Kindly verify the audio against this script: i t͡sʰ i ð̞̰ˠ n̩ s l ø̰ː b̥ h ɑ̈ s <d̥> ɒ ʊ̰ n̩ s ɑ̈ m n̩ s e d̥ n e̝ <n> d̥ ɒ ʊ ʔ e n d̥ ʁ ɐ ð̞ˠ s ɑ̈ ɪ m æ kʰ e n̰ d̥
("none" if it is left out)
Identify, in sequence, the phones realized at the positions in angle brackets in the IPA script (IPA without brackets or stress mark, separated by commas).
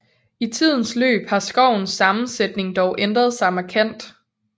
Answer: ɡ̥, ŋ